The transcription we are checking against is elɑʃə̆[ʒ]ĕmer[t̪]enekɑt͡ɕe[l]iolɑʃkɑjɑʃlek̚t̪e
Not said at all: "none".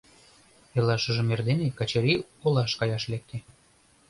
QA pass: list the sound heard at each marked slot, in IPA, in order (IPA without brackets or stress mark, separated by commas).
ʒ, d̪, ɾ